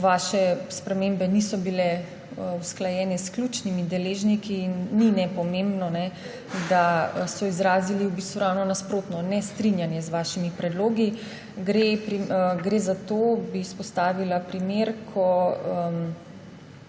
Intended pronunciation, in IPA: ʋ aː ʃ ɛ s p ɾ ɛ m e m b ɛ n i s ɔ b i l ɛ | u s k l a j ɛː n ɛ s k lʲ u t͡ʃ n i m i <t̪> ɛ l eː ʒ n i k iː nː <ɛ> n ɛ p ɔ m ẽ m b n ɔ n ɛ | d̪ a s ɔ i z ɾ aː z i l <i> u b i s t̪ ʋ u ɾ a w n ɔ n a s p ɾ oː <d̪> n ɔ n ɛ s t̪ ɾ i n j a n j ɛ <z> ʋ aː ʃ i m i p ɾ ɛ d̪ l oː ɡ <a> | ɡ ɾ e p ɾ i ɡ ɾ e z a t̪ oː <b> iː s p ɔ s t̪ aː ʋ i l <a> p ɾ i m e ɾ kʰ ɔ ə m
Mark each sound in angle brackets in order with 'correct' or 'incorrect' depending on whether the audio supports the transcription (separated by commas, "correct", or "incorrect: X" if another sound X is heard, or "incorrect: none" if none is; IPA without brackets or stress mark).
incorrect: d̪, incorrect: i, correct, incorrect: t̪, correct, incorrect: i, correct, correct